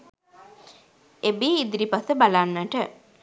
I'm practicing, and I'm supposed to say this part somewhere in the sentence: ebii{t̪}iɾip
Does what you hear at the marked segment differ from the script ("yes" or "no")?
yes